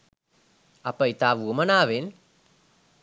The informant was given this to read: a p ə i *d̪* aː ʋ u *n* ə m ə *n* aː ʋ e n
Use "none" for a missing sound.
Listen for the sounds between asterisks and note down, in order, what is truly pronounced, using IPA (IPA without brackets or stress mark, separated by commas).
t̪, none, n